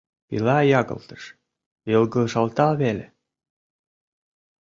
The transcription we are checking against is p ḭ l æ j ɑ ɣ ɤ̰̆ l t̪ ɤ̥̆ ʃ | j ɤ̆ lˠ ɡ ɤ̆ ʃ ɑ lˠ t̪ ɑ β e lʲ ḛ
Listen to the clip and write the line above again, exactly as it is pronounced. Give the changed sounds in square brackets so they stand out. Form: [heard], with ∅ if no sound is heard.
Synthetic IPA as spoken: p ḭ l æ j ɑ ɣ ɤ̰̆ l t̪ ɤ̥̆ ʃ | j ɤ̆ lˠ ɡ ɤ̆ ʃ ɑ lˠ t̪ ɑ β e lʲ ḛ